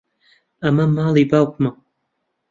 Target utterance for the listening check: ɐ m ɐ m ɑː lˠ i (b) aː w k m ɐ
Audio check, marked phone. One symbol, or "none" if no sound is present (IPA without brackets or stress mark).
b